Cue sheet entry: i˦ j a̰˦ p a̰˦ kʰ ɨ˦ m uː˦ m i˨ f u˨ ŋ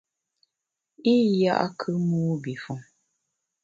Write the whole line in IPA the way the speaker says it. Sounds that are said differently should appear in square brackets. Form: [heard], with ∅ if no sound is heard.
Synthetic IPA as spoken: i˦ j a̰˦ [ʔ] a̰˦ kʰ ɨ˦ m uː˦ [b] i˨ f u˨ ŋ